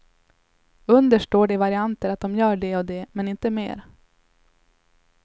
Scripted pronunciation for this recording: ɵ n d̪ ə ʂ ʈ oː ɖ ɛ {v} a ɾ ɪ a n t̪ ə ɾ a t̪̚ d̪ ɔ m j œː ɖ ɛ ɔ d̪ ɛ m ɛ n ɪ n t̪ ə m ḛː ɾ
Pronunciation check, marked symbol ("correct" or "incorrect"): correct